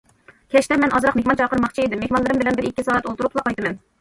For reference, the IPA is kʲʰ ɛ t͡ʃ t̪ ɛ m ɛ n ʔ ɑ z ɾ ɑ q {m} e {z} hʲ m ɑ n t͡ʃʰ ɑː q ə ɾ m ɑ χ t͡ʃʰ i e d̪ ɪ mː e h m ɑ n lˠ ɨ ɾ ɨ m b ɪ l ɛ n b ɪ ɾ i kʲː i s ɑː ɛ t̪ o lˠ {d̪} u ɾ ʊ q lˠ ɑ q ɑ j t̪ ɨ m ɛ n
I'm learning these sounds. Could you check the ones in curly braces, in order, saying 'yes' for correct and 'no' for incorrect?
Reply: yes, no, no

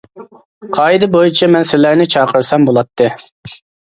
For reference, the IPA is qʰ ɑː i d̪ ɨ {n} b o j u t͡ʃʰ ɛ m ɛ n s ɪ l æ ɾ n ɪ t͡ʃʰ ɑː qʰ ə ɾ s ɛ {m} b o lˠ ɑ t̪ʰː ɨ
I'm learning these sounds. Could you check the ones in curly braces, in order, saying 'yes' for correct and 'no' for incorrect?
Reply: no, yes

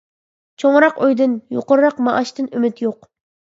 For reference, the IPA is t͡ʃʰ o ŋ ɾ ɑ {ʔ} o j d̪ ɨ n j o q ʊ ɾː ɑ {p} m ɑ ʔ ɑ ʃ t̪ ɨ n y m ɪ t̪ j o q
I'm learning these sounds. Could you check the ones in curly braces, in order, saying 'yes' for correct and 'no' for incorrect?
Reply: no, no

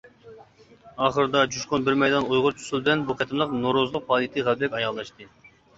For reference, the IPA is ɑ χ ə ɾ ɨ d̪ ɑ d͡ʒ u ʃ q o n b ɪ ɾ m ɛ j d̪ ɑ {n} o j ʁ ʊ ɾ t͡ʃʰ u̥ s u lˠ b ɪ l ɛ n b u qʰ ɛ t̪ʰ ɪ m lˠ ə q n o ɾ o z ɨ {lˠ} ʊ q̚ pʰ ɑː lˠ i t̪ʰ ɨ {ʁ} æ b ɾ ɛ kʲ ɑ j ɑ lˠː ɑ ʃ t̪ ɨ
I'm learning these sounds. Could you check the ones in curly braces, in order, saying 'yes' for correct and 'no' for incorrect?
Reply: yes, yes, yes

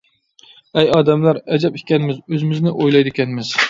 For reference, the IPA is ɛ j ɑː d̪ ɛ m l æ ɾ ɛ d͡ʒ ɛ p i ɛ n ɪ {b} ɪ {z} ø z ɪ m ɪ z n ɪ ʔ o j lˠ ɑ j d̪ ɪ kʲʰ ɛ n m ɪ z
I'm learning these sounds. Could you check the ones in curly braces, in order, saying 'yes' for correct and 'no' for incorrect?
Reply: no, yes

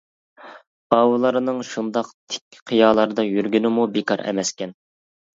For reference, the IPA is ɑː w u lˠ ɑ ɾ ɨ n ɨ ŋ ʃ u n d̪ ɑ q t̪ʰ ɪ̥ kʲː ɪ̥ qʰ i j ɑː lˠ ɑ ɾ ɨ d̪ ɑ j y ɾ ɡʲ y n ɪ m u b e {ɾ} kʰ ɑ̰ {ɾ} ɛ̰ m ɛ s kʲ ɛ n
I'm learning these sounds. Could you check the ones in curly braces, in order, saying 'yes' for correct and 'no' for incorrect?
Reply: no, yes

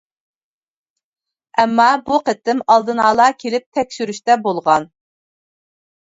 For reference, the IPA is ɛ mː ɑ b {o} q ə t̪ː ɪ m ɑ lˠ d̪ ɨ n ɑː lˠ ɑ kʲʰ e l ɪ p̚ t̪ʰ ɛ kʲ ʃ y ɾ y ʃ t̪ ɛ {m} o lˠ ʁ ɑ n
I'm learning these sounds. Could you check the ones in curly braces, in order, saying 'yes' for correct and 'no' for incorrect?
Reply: no, no

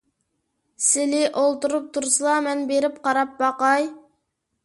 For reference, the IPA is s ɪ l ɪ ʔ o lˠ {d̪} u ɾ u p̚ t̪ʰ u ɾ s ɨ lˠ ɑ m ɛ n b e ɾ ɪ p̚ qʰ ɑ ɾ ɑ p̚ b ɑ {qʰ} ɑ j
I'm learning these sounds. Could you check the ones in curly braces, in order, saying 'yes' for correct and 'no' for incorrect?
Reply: no, no

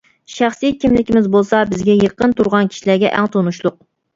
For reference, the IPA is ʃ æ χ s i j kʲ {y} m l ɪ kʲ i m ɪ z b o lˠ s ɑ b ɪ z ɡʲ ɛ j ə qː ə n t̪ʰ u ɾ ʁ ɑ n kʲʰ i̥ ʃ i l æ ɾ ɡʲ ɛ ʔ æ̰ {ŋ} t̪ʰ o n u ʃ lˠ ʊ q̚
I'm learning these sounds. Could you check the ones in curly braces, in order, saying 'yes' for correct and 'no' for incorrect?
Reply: no, yes

